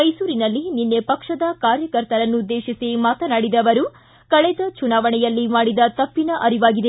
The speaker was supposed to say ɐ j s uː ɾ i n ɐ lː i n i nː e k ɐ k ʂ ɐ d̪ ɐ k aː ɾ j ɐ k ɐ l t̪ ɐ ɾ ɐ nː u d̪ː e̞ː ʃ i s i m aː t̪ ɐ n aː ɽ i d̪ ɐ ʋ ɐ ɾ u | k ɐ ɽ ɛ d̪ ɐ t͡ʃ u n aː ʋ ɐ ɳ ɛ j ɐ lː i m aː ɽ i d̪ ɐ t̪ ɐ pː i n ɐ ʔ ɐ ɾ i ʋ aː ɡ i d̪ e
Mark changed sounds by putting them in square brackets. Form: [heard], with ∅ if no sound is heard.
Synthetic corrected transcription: ɐ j s uː ɾ i n ɐ lː i n i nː e [p] ɐ k ʂ ɐ d̪ ɐ k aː ɾ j ɐ k ɐ [ɾ] t̪ ɐ ɾ ɐ nː u d̪ː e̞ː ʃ i s i m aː t̪ ɐ n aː ɽ i d̪ ɐ ʋ ɐ ɾ u | k ɐ [ɭ] ɛ d̪ ɐ t͡ʃ u n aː ʋ ɐ ɳ ɛ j ɐ lː i m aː ɽ i d̪ ɐ t̪ ɐ pː i n ɐ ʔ ɐ ɾ i ʋ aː ɡ i d̪ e